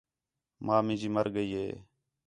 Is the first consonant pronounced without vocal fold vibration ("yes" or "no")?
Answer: no